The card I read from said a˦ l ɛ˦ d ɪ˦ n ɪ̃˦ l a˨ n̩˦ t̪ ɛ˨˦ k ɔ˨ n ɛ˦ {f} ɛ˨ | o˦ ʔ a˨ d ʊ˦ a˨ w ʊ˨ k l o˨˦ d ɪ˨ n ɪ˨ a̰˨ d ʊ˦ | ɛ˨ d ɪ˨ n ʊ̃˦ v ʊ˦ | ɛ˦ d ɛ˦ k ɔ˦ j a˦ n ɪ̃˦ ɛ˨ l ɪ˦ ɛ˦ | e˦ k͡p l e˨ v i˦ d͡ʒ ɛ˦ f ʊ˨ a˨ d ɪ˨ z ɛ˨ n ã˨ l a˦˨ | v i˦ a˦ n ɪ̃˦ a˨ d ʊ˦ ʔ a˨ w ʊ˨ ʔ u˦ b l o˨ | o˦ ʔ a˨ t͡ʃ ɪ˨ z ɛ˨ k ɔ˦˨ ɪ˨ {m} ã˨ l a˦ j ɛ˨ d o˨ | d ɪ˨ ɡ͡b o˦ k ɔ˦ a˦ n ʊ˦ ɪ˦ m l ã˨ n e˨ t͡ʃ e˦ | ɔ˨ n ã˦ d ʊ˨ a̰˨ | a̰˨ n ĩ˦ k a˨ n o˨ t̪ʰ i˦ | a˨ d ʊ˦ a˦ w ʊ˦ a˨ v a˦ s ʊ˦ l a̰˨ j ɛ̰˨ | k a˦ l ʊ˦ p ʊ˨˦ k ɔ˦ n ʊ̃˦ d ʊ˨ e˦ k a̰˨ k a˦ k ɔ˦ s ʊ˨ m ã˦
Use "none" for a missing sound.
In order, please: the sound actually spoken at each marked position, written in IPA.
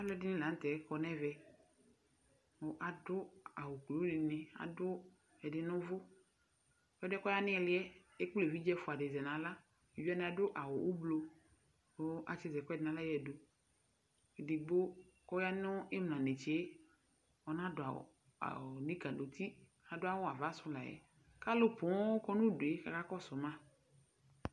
v, n

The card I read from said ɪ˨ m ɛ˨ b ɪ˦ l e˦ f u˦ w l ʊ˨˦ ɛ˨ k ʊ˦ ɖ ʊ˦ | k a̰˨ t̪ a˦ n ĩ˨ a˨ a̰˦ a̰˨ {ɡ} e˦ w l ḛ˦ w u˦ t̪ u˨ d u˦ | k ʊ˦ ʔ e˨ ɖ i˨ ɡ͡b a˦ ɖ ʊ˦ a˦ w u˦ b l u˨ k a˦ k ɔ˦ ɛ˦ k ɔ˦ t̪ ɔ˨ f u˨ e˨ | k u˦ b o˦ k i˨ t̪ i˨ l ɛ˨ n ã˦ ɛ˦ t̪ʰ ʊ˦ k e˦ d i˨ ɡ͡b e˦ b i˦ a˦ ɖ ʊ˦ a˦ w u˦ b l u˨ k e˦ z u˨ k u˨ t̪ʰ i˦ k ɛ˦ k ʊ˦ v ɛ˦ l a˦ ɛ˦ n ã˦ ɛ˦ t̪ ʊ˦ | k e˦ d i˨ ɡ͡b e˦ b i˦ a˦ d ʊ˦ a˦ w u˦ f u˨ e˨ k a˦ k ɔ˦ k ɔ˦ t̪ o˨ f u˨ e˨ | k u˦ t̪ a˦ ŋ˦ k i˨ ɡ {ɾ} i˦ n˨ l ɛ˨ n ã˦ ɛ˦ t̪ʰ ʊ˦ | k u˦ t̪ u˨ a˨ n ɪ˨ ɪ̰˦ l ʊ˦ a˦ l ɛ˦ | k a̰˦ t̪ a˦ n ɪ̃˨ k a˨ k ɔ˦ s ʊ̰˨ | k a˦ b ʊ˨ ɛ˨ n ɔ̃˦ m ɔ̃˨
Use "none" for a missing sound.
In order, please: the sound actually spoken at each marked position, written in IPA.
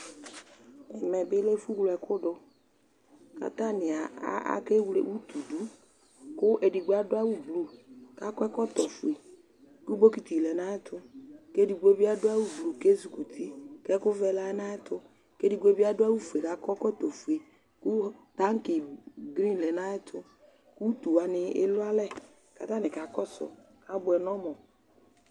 k, ɾ

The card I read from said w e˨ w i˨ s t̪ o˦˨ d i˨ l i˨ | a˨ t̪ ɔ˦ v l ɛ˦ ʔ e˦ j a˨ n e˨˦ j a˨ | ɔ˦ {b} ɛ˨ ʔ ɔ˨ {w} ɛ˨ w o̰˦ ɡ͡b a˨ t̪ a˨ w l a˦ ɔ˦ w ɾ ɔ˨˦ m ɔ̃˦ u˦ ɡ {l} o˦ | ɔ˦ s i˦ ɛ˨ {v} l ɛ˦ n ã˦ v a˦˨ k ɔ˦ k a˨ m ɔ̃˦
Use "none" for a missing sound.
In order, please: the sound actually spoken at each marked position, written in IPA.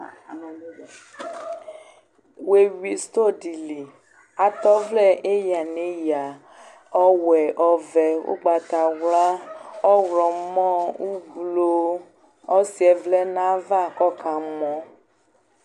w, v, l, v

